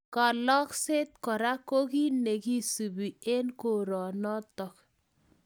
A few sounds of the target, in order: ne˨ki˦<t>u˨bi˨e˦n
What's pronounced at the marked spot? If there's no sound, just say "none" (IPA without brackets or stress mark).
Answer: s